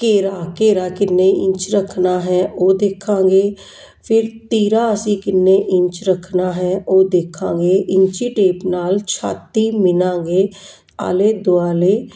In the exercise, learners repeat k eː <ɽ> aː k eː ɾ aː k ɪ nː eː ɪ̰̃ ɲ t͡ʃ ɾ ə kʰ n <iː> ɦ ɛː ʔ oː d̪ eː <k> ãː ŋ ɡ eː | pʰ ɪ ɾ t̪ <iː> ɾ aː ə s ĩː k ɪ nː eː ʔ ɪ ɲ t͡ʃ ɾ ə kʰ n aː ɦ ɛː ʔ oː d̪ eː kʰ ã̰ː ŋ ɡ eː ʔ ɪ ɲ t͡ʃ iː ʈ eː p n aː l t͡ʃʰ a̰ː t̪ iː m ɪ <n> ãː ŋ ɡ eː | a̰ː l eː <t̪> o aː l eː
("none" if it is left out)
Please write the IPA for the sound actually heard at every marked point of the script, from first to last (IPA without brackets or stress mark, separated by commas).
ɾ, aː, kʰ, iː, n, d̪